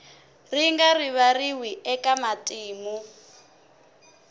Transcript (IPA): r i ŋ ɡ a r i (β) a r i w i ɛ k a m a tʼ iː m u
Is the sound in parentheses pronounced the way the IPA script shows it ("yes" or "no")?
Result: yes